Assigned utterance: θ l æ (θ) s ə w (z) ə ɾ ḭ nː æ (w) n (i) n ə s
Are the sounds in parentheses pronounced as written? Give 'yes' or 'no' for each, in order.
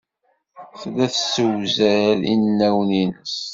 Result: yes, yes, yes, yes

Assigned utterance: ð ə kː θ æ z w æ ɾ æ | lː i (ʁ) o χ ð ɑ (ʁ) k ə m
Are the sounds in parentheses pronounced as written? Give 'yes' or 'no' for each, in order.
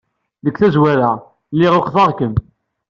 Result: yes, yes

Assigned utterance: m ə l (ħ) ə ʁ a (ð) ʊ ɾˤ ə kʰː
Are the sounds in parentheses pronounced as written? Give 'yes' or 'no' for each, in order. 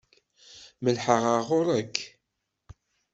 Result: yes, no

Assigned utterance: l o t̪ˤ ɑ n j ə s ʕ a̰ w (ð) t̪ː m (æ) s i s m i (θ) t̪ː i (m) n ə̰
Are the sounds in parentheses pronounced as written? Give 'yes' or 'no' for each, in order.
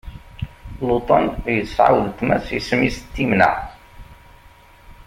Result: yes, yes, no, yes

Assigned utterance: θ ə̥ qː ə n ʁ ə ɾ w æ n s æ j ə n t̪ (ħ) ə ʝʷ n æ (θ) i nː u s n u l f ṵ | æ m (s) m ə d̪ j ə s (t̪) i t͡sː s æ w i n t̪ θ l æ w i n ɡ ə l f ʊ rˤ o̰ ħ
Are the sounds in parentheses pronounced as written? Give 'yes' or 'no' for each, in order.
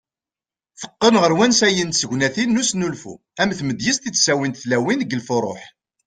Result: no, yes, no, yes

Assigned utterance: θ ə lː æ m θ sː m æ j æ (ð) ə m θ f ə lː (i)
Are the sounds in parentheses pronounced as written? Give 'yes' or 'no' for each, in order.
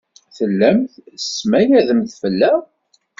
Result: yes, no

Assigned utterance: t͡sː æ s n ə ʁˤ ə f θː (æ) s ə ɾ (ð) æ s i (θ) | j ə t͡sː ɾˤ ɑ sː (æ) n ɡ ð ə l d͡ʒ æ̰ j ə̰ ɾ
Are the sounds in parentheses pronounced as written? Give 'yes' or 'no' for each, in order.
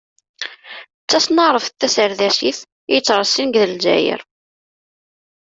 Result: yes, yes, yes, no

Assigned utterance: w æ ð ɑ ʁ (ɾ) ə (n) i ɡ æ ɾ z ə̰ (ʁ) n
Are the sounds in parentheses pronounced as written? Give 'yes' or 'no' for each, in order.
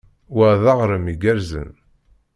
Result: yes, no, no

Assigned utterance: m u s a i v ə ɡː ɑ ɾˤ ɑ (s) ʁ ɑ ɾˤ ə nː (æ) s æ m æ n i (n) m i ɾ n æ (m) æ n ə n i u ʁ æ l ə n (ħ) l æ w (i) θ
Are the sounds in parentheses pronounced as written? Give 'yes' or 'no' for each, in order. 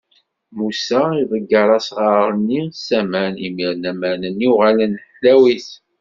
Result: yes, no, no, yes, yes, yes

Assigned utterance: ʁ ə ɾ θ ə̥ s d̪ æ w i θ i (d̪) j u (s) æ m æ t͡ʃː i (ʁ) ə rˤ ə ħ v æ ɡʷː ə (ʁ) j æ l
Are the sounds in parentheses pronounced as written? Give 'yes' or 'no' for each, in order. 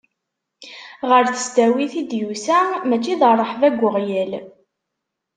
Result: yes, yes, no, yes

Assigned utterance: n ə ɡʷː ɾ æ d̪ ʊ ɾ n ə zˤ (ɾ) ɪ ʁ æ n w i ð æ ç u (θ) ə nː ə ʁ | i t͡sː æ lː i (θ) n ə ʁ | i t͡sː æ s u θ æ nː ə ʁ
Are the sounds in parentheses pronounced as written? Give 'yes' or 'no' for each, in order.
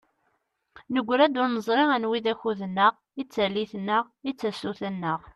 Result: yes, no, yes

